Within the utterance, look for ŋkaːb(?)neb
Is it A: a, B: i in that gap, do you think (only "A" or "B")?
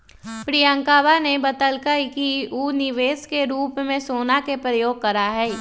A